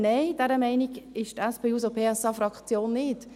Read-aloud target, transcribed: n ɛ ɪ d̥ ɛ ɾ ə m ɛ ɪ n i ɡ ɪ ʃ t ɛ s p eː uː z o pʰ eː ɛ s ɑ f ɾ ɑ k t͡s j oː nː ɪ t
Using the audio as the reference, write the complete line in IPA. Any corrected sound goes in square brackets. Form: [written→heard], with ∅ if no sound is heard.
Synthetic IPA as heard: n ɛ ɪ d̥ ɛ ɾ ə m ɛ ɪ n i ɡ ɪ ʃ t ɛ s p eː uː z o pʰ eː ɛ s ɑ f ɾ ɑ k t͡s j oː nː ɪ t